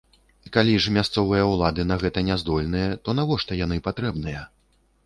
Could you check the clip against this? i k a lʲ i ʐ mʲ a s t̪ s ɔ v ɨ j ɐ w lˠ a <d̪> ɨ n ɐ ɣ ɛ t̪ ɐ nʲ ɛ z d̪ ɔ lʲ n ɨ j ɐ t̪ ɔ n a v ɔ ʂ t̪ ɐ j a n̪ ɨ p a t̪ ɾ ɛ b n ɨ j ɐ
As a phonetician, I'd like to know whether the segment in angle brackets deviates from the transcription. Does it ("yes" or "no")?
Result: no